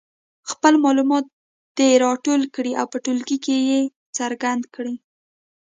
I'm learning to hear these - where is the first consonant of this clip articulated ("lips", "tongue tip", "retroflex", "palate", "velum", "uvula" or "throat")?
velum